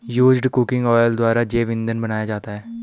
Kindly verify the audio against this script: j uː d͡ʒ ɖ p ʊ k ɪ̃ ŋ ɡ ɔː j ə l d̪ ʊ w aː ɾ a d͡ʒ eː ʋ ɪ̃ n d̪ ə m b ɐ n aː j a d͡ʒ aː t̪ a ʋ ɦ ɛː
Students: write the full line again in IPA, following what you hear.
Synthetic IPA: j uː d͡ʒ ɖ k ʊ k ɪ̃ ŋ ɡ ɔː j ə l d̪ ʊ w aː ɾ a d͡ʒ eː ʋ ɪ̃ n d̪ ə n b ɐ n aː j a d͡ʒ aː t̪ a ɦ ɛː